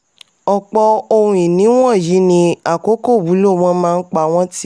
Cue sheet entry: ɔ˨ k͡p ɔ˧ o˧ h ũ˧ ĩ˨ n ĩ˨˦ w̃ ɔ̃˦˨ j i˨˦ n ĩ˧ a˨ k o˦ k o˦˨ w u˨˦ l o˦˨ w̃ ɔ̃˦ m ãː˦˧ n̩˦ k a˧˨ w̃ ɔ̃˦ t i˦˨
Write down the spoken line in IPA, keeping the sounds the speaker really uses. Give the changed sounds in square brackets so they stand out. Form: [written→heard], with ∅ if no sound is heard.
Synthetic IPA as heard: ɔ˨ k͡p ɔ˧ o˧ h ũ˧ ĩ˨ n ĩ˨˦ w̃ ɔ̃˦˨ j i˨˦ n ĩ˧ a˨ k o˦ k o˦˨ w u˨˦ l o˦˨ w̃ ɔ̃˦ m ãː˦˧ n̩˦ [k→k͡p] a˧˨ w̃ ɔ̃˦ t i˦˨